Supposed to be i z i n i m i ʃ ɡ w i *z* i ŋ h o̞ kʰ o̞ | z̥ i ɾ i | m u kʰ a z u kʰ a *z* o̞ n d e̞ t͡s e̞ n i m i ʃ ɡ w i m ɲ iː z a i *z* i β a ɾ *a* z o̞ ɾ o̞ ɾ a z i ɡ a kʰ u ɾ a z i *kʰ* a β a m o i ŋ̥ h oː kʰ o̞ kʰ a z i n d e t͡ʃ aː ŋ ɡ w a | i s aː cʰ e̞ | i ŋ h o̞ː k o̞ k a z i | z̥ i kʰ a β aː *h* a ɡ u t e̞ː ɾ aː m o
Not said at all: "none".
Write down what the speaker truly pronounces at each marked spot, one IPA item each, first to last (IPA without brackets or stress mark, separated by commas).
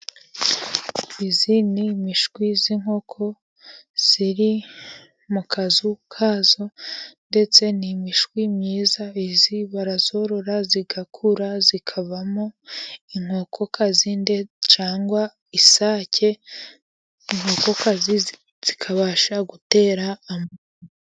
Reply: z, z, z, a, kʰ, ʃ